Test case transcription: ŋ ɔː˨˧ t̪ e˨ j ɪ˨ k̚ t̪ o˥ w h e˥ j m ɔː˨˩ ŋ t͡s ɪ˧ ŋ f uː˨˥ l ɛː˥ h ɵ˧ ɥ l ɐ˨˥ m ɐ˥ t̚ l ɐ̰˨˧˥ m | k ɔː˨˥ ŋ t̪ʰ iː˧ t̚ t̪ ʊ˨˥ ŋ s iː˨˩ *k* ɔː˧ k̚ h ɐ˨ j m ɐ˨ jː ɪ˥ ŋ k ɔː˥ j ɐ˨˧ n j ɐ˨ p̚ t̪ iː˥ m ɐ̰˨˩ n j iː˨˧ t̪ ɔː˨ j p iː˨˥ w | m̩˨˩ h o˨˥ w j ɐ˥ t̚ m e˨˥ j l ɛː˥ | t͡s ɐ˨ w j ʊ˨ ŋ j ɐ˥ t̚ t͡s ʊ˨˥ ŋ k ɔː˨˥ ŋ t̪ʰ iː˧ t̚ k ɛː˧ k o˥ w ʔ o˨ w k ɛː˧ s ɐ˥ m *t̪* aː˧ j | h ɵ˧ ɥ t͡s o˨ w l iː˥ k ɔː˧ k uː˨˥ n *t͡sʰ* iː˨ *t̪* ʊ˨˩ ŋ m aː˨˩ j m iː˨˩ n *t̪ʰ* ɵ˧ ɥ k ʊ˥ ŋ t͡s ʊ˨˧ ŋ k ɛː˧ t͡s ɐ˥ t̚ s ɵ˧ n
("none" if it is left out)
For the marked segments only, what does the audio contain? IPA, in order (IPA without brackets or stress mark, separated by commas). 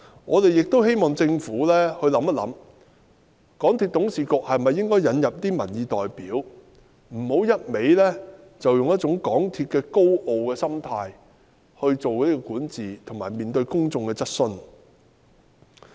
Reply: k, t̪ʰ, t͡s, t̪ʰ, t̪